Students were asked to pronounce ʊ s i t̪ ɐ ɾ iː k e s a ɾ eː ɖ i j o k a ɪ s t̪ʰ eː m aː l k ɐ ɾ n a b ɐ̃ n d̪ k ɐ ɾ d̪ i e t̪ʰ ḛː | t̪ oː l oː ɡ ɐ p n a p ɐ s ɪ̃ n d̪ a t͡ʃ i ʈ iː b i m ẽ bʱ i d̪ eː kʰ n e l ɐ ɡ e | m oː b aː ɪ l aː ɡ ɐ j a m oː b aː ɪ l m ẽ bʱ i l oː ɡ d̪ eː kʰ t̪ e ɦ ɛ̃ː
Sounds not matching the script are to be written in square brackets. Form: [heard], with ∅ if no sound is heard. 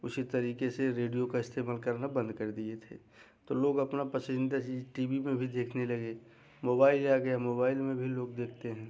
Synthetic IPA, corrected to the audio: ʊ s i t̪ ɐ ɾ iː k e s [e] ɾ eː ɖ i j o k a ɪ s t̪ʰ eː m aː l k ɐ ɾ n a b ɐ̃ n d̪ k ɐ ɾ d̪ i e t̪ʰ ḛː | t̪ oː l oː ɡ ɐ p n a p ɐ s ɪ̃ n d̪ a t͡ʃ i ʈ iː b i m ẽ bʱ i d̪ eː kʰ n e l ɐ ɡ e | m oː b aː ɪ l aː ɡ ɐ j a m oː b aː ɪ l m ẽ bʱ i l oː ɡ d̪ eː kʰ t̪ e ɦ ɛ̃ː